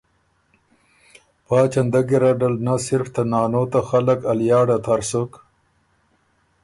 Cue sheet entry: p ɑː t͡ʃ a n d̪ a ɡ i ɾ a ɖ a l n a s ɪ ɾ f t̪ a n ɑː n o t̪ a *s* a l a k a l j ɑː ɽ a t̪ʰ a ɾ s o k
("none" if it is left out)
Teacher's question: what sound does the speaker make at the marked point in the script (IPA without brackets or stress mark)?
x